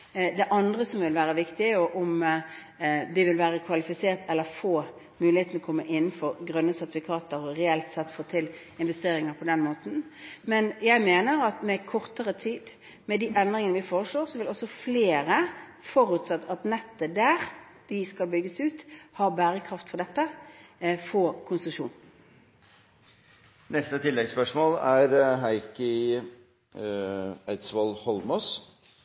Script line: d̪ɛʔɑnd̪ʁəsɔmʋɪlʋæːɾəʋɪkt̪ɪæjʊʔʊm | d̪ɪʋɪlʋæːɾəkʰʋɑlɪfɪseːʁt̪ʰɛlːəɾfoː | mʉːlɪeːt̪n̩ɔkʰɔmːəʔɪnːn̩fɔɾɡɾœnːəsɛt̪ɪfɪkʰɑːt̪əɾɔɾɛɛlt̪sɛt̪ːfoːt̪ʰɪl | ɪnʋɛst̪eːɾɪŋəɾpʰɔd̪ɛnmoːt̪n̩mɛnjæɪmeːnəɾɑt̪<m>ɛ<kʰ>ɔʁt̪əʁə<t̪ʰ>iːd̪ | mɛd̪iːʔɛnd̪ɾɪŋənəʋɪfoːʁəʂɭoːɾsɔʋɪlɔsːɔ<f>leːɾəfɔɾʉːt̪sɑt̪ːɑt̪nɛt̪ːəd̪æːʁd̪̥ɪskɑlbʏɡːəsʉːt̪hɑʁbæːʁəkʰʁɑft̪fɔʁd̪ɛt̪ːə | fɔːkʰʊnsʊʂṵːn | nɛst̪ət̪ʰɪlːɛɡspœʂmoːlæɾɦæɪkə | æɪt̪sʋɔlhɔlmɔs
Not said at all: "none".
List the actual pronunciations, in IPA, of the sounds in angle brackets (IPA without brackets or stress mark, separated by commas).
m, kʰ, t̪ʰ, f